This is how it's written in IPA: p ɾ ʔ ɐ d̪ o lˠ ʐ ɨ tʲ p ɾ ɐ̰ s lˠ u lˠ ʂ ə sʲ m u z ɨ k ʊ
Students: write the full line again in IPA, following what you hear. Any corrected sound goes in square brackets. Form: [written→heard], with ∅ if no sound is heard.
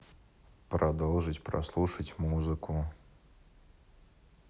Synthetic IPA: p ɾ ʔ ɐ d̪ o lˠ ʐ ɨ tʲ p ɾ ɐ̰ s lˠ u [lˠ→∅] ʂ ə [sʲ→tʲ] m u z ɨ k ʊ

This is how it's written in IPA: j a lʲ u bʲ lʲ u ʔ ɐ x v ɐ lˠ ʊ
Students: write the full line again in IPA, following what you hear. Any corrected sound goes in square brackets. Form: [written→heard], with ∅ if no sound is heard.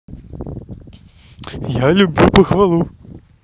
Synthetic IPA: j a lʲ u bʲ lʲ u [ʔ→p] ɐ x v [ɐ→a] lˠ [ʊ→u]

